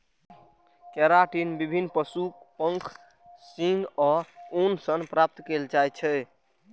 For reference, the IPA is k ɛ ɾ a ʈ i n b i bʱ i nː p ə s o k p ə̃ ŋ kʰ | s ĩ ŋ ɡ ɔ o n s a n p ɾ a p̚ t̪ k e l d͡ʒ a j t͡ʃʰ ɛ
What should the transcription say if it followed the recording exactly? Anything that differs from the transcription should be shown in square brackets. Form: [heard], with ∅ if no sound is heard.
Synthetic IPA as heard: k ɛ ɾ a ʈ i n b i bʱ i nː p ə s [u] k p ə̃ ŋ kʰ | s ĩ ŋ ɡ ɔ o n s [ə] n p ɾ a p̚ t̪ k e l d͡ʒ a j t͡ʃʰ ɛ